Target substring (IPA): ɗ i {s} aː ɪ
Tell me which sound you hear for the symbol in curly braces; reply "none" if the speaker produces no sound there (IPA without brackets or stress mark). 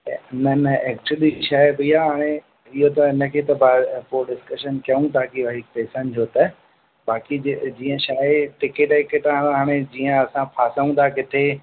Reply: ʃ